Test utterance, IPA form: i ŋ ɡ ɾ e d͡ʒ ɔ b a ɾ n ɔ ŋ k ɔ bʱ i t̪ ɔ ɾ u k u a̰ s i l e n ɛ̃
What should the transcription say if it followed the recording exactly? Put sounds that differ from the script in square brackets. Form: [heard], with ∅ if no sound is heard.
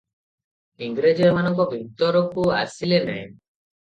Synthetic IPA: i ŋ ɡ ɾ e d͡ʒ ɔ [m] a [∅] n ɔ ŋ k ɔ bʱ i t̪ ɔ ɾ [ɔ] k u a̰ s i l e n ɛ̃